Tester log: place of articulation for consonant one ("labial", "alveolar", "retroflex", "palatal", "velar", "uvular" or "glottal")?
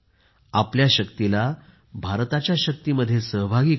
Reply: labial